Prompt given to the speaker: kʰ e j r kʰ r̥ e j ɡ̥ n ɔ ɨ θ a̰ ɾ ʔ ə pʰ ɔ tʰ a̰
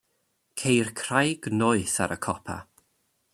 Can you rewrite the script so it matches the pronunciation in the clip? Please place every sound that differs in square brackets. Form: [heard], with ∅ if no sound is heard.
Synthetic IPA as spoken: kʰ e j r kʰ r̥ [a] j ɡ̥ n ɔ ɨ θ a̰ ɾ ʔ ə [kʰ] ɔ [pʰ] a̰